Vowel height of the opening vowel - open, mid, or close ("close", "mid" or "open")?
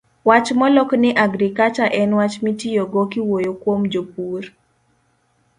open